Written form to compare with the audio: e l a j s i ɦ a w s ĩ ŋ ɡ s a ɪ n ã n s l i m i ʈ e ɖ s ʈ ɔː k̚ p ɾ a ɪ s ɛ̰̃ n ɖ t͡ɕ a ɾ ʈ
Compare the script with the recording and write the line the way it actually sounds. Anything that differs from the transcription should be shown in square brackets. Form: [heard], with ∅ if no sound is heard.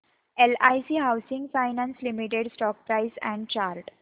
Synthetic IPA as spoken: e l a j s i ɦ a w s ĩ ŋ ɡ [f] a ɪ n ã n s l i m i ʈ e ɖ s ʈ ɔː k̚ p ɾ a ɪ s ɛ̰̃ [ɳ] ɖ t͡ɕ a ɾ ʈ